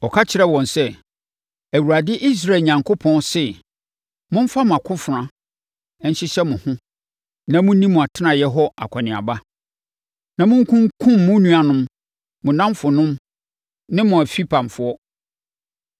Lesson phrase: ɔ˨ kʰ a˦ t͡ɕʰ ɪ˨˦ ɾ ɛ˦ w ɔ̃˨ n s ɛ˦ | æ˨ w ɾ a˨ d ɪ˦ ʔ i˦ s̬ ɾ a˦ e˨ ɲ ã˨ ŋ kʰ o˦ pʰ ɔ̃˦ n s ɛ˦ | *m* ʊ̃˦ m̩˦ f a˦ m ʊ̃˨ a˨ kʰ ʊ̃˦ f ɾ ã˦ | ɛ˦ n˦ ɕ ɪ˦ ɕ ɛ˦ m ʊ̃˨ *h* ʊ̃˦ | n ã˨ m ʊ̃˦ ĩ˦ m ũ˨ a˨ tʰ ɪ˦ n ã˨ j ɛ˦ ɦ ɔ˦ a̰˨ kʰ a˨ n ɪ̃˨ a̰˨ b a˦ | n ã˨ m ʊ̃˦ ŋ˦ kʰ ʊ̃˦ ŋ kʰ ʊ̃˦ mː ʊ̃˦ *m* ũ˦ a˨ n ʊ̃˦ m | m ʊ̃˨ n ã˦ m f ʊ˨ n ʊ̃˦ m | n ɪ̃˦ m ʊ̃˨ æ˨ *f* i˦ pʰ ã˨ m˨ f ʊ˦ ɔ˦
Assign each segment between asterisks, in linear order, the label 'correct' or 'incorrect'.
correct, correct, incorrect: n, correct

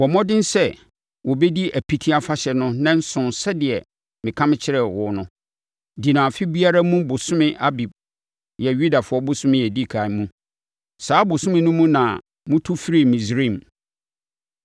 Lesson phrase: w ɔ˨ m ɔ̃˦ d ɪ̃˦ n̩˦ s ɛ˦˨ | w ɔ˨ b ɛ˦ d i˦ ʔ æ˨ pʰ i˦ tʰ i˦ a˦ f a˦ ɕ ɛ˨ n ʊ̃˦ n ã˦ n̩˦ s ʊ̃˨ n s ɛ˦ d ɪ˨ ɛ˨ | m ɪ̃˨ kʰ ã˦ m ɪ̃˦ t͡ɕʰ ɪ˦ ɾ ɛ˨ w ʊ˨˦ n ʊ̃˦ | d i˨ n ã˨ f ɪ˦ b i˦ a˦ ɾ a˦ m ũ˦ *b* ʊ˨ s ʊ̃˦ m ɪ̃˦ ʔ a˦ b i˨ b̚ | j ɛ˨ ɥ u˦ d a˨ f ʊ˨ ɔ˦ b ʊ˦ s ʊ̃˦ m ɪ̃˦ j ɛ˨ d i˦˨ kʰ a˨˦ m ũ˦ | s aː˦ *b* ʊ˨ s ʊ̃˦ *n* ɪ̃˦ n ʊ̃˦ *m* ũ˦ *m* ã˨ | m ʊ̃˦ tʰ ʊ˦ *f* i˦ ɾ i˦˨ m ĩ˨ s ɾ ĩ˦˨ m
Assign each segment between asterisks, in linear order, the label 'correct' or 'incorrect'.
correct, correct, incorrect: m, correct, incorrect: n, correct

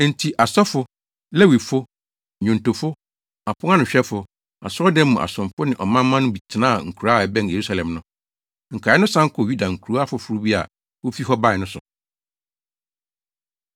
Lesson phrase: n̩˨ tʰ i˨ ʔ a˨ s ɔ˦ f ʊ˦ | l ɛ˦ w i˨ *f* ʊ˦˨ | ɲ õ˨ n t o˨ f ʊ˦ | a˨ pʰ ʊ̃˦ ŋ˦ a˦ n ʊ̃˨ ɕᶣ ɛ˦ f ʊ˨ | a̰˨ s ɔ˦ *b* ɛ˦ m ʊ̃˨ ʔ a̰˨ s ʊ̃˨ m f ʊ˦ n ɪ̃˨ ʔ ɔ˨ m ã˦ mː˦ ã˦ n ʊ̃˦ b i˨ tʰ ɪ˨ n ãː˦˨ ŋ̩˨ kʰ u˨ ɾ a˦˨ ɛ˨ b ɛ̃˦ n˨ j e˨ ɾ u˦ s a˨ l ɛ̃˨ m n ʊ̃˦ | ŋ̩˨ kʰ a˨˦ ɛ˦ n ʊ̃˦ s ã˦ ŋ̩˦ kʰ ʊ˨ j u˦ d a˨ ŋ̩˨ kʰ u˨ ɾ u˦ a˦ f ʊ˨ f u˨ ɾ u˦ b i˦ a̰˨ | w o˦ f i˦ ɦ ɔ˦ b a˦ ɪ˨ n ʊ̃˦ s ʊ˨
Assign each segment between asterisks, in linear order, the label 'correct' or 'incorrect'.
correct, incorrect: d

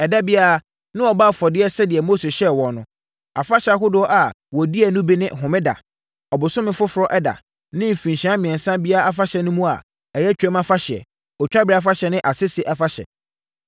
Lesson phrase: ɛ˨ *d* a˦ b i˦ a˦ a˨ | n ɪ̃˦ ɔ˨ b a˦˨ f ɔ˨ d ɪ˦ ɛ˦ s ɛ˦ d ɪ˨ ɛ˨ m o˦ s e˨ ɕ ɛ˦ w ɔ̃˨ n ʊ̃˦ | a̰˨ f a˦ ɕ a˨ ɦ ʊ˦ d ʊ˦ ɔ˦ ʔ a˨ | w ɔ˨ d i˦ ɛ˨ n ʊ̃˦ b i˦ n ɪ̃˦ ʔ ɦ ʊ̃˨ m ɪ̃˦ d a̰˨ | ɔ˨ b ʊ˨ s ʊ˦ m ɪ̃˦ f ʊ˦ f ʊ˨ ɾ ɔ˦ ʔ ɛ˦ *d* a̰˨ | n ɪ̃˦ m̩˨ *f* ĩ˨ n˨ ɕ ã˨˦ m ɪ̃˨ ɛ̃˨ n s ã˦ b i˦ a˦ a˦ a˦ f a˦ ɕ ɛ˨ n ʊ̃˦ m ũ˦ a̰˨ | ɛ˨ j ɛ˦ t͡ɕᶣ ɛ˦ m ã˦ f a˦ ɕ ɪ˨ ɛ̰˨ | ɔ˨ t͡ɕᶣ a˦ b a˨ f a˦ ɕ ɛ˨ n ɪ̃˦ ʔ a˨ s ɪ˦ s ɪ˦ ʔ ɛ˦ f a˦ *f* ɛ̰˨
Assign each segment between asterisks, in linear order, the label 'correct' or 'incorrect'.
correct, correct, correct, incorrect: ɕ

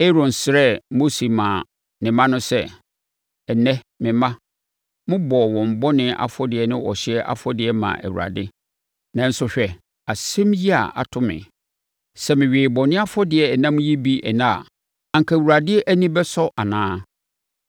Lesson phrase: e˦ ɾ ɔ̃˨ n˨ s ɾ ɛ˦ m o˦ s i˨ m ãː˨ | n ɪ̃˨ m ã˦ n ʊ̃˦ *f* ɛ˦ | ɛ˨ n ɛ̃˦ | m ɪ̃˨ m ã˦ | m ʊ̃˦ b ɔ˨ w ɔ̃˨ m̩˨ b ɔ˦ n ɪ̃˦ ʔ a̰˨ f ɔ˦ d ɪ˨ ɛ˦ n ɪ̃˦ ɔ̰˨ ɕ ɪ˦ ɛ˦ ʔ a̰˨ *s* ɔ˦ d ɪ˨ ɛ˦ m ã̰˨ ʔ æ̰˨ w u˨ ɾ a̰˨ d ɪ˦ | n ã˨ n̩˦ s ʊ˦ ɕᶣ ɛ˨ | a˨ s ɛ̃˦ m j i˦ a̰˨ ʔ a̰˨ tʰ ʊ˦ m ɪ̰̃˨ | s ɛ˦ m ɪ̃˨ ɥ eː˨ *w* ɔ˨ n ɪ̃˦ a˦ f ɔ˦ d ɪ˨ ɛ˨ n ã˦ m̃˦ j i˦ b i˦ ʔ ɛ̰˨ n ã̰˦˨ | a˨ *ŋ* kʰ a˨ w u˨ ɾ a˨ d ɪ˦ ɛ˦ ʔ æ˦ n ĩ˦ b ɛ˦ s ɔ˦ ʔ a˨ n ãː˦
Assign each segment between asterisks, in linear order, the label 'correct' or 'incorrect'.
incorrect: s, incorrect: f, incorrect: b, correct

